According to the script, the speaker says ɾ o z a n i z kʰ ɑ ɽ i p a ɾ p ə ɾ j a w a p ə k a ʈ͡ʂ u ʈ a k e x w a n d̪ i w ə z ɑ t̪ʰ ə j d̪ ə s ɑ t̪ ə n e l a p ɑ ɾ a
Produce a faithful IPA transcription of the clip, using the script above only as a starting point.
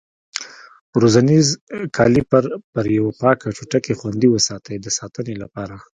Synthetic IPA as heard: ɾ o z a n i z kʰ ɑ l i p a ɾ p ə ɾ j a w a p ɑ k a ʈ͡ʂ u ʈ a k e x w a n d̪ i w ə s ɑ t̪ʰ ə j d̪ ə s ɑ t̪ ə n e l a p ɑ ɾ a